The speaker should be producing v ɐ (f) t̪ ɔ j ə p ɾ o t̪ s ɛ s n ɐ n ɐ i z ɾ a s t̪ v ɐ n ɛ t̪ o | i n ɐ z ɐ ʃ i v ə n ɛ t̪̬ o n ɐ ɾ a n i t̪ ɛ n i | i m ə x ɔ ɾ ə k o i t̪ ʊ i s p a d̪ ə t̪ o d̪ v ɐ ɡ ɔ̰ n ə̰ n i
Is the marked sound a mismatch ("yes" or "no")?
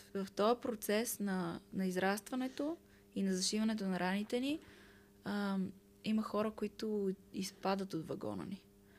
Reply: no